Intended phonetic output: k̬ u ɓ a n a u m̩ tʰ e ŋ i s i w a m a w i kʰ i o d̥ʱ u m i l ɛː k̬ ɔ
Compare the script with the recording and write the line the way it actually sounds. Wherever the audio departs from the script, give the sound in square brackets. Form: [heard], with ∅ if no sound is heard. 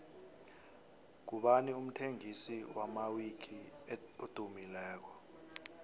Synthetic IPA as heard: k̬ u ɓ a n [i] u m̩ tʰ e ŋ i s i w a m a w i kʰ i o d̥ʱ u m i l ɛː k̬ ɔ